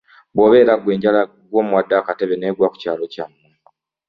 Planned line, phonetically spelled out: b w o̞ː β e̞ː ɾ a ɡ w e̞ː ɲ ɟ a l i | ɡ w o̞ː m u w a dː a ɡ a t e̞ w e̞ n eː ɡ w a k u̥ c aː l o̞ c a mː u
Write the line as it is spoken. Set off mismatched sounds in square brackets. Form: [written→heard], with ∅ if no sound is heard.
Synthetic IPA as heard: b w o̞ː β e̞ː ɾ a ɡ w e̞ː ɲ ɟ a l [i→a] | ɡ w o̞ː m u w a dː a [ɡ→k] a t e̞ [w→β] e̞ n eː ɡ w a k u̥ c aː l o̞ c a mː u